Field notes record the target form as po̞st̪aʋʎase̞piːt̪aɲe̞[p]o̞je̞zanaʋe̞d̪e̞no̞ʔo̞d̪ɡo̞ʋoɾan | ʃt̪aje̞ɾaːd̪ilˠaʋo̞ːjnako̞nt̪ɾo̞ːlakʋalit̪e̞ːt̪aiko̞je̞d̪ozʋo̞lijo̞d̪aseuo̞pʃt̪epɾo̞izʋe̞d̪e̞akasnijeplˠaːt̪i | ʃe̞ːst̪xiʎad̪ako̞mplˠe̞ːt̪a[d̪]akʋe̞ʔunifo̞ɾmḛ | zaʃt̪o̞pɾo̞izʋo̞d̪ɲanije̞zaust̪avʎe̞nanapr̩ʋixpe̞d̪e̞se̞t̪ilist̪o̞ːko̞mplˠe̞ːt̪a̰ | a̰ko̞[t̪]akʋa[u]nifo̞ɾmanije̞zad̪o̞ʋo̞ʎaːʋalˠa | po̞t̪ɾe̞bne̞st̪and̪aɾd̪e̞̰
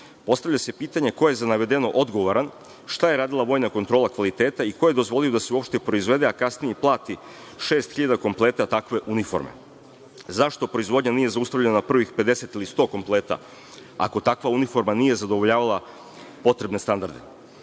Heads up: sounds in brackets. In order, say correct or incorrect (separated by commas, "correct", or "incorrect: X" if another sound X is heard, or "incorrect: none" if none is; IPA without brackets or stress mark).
incorrect: k, incorrect: t̪, correct, correct